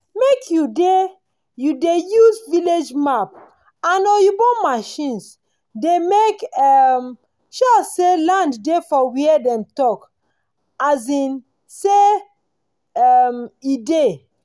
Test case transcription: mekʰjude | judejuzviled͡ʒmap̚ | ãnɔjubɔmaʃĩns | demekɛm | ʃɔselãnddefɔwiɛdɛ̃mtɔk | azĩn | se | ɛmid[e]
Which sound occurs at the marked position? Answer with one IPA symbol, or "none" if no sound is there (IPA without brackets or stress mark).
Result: e